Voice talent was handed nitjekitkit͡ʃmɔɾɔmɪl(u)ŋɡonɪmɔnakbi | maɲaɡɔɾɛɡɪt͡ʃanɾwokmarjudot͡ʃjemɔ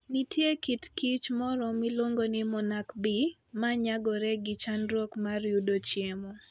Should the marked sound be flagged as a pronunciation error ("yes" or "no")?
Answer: yes